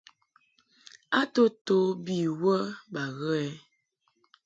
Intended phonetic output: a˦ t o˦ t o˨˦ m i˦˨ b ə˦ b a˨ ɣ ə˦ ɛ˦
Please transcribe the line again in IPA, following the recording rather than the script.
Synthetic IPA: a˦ t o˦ t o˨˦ b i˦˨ w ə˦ b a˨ ɣ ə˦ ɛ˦